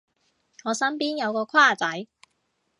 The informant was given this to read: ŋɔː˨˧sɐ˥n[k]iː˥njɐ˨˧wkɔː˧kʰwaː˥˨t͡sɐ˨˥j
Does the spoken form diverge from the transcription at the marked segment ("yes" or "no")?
yes